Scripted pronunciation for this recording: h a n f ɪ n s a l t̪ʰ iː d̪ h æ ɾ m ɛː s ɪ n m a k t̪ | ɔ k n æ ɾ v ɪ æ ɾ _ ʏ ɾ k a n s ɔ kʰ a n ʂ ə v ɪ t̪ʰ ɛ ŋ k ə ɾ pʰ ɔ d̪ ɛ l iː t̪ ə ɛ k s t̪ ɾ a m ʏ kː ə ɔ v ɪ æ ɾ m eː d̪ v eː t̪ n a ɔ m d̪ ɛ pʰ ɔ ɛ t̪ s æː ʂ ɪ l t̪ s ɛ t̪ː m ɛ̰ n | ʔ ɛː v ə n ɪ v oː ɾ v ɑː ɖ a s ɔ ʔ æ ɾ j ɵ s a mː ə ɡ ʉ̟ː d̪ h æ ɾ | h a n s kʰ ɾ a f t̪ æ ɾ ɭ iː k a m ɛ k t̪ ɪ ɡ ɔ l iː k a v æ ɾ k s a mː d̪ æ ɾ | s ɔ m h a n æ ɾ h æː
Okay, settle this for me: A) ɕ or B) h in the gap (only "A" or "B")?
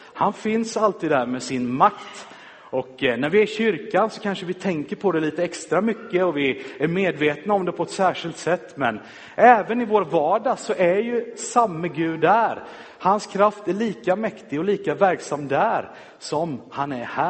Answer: A